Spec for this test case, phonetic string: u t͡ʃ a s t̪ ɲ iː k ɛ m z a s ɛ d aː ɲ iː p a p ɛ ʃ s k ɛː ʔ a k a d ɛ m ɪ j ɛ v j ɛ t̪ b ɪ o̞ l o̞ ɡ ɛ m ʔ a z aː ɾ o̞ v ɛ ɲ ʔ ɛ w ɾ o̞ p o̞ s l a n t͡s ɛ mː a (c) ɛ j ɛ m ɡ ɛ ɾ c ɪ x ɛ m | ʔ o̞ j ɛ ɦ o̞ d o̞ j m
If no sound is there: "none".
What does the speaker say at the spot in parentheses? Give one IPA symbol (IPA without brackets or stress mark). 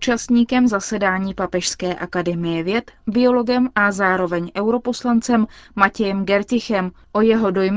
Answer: c